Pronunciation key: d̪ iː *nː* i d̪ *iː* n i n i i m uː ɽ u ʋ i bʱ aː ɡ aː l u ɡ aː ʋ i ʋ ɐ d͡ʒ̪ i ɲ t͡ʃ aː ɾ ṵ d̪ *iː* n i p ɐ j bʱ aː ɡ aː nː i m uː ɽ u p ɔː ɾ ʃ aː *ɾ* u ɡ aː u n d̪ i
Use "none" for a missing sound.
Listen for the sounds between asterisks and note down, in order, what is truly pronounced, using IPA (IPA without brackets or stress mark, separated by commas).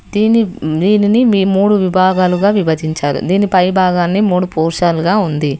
n, iː, iː, l